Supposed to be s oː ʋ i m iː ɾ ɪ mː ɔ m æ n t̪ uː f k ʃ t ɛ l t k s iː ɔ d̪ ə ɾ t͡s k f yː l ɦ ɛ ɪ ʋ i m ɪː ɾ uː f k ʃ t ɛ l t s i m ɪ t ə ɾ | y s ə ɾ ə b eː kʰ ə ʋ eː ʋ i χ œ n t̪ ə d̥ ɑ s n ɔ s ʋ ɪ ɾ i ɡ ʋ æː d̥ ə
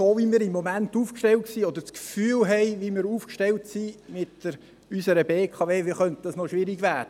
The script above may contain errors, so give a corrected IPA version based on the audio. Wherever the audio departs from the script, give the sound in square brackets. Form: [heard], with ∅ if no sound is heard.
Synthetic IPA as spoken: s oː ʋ i m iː ɾ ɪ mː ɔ m æ n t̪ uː f k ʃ t ɛ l t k s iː ɔ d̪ ə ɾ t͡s k f yː l ɦ ɛ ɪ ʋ i m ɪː ɾ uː f k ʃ t ɛ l t s i m ɪ t ə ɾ | y s ə ɾ ə b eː kʰ [ɑ] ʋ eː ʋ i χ œ n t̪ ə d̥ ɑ s n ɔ [ʃ] ʋ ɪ ɾ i ɡ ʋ æː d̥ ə